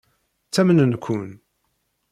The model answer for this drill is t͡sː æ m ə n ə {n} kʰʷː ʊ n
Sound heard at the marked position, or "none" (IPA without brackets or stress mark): n